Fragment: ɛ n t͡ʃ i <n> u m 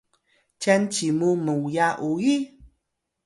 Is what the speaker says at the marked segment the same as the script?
no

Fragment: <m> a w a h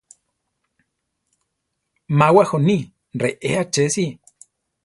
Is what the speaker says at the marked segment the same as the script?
yes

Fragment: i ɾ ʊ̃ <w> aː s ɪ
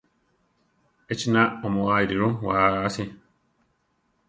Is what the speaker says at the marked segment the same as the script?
yes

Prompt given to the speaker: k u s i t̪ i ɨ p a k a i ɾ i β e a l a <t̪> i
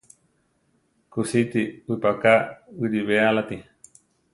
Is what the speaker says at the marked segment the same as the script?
yes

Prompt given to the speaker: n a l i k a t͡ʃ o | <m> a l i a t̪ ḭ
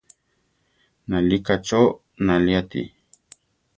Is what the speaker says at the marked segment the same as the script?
no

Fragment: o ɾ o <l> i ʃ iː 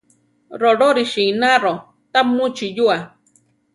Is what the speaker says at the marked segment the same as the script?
no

